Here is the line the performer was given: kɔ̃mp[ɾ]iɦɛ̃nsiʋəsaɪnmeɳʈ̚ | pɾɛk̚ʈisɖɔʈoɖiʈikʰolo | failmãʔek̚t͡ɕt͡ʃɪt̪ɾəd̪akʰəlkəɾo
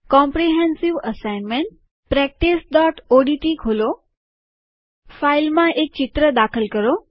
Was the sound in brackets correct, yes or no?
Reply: yes